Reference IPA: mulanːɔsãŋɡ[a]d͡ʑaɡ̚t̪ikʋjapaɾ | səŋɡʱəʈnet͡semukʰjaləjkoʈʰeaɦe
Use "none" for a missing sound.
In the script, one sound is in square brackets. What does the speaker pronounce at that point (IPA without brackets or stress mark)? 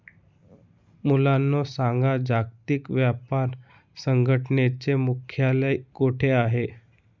a